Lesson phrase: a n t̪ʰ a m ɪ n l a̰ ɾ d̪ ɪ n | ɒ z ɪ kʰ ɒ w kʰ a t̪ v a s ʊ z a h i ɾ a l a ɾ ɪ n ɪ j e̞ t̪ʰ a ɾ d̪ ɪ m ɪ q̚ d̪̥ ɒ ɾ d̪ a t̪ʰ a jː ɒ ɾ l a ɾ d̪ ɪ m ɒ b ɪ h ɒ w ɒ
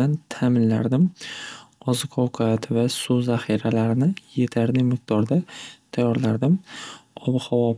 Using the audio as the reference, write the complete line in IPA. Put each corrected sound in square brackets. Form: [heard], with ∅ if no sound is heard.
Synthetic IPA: a n t̪ʰ a m ɪ n l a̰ ɾ d̪ ɪ [m] | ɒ z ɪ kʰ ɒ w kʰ a t̪ v a s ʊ z a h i ɾ a l a ɾ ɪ n ɪ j e̞ t̪ʰ a ɾ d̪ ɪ m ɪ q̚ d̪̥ ɒ ɾ d̪ a t̪ʰ a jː ɒ ɾ l a ɾ d̪ ɪ m ɒ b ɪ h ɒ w ɒ